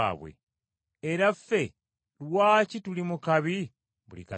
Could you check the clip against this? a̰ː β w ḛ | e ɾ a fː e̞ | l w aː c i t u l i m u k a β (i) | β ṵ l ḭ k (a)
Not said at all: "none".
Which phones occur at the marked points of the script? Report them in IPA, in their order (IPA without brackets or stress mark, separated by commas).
i, a